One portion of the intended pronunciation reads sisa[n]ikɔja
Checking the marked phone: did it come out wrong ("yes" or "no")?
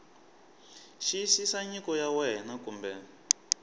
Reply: yes